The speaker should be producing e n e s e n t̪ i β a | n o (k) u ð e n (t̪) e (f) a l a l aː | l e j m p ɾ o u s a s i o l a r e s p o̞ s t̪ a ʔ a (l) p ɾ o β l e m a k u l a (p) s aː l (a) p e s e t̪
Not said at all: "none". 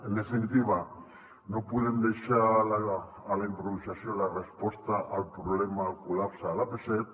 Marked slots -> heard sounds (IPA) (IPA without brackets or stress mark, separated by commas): p, d̪, ʃ, l, p, a